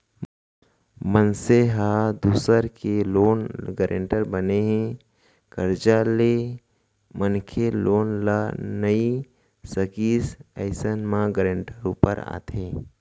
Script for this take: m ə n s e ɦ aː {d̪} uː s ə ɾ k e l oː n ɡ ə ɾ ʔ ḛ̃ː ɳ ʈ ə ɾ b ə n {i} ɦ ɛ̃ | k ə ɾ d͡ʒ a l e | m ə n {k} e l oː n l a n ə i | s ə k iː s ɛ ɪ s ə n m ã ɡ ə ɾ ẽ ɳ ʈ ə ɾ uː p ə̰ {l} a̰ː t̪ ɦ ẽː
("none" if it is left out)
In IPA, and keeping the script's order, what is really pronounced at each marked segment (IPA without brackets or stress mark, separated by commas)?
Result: d̪, e, kʰ, ɾ